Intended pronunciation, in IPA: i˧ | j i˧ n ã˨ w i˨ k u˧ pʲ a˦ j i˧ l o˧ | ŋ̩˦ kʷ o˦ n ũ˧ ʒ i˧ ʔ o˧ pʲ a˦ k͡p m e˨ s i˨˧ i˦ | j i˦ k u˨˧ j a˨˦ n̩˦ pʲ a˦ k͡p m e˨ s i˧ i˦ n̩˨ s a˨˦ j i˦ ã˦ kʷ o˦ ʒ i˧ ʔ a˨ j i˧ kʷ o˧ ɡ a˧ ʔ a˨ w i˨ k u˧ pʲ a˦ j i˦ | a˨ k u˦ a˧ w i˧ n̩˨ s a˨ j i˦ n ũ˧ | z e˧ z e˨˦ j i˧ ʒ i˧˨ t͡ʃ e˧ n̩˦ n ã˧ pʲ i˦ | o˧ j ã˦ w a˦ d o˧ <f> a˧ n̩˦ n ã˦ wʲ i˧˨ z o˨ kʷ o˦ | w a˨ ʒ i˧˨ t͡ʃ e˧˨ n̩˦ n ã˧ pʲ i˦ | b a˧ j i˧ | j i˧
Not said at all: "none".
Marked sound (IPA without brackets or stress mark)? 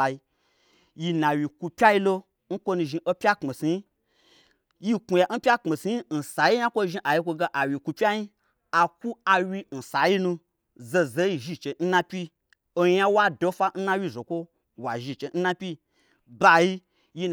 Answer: f